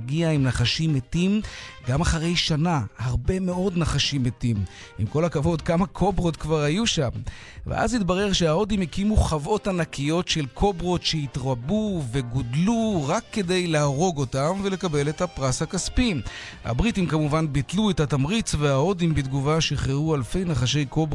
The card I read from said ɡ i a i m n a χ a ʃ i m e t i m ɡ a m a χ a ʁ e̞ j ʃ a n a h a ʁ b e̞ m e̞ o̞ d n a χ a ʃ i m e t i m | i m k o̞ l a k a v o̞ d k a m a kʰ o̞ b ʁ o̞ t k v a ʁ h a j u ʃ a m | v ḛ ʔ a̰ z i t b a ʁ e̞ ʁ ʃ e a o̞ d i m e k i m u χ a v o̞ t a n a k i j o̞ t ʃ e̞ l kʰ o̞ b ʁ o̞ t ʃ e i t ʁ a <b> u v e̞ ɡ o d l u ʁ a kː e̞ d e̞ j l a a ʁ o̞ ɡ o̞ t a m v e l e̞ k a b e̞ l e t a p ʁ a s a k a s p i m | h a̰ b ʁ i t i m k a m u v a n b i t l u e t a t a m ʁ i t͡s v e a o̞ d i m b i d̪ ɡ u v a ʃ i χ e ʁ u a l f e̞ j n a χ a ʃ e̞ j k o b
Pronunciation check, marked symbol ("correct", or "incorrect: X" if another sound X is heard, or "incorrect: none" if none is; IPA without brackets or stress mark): correct